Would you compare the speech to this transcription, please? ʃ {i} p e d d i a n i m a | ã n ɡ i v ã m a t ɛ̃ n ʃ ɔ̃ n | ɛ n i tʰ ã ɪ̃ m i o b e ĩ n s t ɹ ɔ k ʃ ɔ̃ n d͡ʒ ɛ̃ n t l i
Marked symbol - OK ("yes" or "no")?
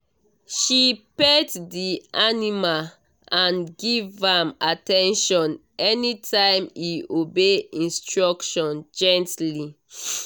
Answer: yes